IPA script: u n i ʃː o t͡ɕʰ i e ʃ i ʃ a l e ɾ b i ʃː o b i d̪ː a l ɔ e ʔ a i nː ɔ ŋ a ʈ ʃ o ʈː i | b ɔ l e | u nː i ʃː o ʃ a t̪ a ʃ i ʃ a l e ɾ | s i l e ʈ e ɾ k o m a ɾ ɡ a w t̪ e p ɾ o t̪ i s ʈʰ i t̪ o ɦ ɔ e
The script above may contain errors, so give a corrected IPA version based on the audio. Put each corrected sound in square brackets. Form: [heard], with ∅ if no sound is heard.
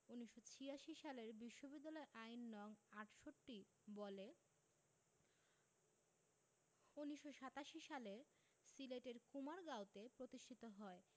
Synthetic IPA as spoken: u n i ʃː o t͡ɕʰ i [a] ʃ i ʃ a l e ɾ b i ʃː o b i d̪ː a l ɔ e ʔ a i nː ɔ ŋ a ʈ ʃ o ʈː i | b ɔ l e | u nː i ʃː o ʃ a t̪ a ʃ i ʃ a l e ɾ | s i l e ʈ e ɾ k [u] m a ɾ ɡ a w t̪ e p ɾ o t̪ i [ʃ] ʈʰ i t̪ o ɦ ɔ e